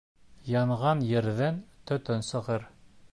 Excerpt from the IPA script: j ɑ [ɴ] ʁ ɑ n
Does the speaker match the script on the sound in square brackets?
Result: yes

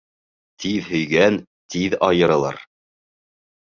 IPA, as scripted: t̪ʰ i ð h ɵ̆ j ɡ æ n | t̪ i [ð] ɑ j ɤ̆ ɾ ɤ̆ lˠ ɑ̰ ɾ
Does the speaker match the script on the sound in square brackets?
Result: yes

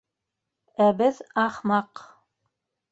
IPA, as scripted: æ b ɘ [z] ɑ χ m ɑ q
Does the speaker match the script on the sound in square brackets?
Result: no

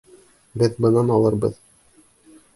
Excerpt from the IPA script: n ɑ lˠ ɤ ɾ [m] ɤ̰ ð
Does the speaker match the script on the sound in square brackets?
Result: no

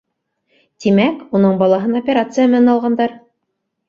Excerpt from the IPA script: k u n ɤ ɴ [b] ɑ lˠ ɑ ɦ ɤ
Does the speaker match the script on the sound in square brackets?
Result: yes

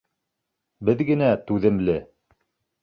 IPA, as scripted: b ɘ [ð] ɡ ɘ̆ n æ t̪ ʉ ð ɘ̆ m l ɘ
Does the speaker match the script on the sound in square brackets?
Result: yes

